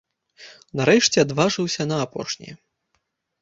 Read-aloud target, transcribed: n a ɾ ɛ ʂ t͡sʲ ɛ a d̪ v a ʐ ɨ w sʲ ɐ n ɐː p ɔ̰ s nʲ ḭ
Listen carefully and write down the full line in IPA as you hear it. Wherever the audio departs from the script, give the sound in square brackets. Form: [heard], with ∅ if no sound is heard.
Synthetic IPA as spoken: n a ɾ ɛ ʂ t͡sʲ ɛ a d̪ v a ʐ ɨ w sʲ ɐ n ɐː p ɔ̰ [ʂ] nʲ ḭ